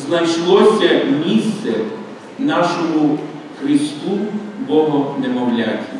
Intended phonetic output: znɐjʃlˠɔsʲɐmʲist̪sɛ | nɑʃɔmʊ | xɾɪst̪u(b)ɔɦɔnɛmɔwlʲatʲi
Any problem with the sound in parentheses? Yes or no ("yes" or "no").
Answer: no